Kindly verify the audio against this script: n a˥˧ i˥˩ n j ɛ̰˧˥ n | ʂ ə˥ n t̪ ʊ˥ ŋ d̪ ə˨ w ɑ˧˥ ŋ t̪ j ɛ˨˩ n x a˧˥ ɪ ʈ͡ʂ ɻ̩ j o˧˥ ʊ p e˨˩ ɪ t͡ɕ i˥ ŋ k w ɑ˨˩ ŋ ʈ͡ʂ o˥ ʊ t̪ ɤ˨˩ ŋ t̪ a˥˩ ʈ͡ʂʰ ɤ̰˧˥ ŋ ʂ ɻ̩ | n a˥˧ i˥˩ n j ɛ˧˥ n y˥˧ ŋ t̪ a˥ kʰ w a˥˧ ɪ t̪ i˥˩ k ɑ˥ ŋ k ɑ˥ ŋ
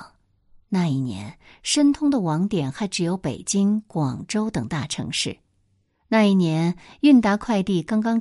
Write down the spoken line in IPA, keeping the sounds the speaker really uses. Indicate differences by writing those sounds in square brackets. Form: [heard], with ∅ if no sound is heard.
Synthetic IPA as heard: n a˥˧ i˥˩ n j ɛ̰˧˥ n | ʂ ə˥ n [t̪ʰ] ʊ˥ ŋ d̪ ə˨ w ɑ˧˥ ŋ t̪ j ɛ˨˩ n x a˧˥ ɪ ʈ͡ʂ ɻ̩ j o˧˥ ʊ p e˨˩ ɪ t͡ɕ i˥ ŋ k w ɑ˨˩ ŋ ʈ͡ʂ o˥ ʊ t̪ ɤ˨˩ ŋ t̪ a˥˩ ʈ͡ʂʰ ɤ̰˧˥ ŋ ʂ ɻ̩ | n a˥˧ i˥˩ n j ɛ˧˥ n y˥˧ [n] t̪ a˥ kʰ w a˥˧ ɪ t̪ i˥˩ k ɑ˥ ŋ k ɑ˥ ŋ